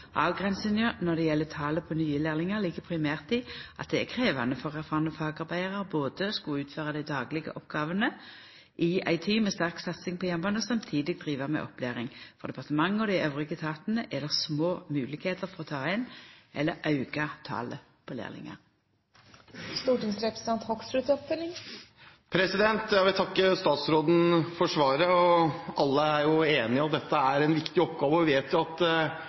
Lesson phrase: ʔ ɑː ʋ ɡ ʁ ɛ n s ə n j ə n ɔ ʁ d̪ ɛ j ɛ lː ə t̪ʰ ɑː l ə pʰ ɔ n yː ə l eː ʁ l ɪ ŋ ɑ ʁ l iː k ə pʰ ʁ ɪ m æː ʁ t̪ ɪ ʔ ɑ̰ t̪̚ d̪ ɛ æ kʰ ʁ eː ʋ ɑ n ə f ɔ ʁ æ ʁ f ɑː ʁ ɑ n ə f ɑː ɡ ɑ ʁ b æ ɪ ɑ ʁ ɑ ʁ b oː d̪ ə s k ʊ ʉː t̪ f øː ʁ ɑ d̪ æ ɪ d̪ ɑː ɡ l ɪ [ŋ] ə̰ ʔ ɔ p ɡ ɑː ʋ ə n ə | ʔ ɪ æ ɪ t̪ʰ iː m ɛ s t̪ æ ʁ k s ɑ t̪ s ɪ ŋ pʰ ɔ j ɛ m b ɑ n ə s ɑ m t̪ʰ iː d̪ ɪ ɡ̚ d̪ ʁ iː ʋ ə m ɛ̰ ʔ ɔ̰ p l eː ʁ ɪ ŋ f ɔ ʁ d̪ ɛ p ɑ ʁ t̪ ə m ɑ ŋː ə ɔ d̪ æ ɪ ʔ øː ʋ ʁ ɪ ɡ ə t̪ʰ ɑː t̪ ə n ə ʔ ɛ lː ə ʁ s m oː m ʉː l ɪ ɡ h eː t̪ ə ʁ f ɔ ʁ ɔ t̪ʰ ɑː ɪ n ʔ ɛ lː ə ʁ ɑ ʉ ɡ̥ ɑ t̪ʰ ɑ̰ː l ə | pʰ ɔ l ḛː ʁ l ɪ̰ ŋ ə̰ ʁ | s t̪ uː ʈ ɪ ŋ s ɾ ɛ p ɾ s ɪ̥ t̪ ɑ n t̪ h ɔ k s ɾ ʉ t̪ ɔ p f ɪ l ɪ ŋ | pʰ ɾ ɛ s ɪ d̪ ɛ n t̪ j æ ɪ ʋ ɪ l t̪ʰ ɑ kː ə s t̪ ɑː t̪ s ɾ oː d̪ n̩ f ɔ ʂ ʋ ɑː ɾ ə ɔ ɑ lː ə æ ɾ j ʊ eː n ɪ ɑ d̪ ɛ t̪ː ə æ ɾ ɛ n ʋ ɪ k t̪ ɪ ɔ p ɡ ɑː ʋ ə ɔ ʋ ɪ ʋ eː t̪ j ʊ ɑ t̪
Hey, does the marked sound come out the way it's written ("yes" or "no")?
no